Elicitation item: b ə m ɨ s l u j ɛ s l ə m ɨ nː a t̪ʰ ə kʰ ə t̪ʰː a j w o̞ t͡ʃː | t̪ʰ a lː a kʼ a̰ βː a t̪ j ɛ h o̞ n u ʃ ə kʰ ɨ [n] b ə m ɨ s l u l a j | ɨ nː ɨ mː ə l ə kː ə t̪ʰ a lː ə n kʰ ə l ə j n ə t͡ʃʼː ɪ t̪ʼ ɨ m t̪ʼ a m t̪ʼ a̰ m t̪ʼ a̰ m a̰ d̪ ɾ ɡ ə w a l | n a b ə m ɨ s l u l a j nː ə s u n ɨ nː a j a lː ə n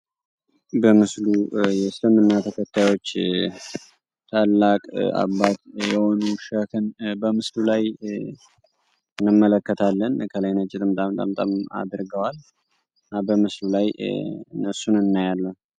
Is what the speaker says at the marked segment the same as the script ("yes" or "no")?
yes